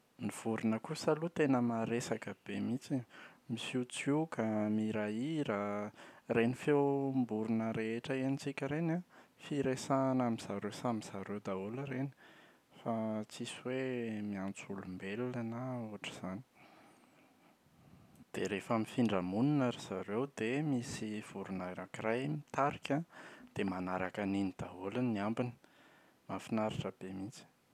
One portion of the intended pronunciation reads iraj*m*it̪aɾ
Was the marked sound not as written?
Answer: no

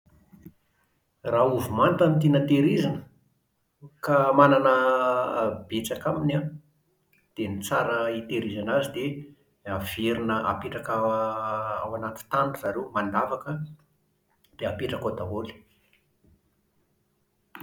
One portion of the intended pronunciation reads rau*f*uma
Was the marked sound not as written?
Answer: yes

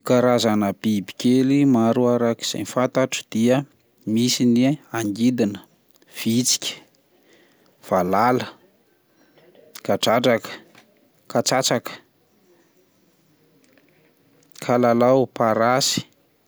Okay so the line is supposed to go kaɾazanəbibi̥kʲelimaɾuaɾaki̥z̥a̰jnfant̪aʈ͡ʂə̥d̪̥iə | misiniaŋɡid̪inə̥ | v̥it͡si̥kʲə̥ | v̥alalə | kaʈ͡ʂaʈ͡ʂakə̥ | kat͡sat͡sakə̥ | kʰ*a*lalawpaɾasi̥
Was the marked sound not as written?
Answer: no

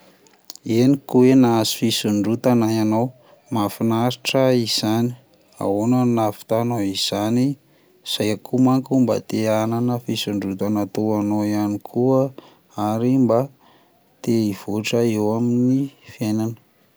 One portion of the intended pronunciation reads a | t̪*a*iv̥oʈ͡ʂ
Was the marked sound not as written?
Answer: yes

